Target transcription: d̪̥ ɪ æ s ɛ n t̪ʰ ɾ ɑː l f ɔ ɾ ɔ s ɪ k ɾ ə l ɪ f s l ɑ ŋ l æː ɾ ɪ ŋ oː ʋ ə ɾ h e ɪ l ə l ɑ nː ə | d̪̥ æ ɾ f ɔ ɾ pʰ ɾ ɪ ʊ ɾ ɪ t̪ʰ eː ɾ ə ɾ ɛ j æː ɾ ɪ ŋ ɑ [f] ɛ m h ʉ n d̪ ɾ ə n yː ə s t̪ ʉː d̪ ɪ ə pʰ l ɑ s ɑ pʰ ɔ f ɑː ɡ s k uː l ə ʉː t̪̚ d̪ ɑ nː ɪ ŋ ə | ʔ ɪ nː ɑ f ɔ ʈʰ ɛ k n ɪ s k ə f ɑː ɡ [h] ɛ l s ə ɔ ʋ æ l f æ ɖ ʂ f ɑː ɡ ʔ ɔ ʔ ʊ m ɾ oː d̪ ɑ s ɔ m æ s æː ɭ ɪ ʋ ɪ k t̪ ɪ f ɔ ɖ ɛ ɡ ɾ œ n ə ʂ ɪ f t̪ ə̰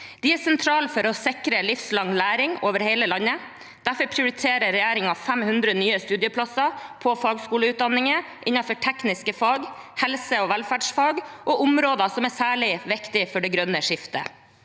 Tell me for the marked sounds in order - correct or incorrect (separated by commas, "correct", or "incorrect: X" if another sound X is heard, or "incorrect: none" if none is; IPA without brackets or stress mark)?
correct, correct